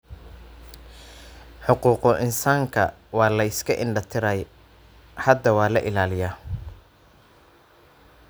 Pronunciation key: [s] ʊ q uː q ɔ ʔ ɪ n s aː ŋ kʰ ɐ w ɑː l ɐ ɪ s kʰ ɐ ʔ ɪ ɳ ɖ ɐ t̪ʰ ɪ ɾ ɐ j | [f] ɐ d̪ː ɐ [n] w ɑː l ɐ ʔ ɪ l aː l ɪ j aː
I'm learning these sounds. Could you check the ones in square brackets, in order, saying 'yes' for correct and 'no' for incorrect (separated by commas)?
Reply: no, no, no